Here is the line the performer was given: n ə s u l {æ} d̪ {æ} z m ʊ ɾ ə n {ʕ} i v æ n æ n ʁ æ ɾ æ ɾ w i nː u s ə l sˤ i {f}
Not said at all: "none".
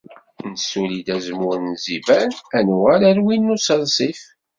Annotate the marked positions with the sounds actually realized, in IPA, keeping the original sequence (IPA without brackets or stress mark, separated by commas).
i, æ, z, f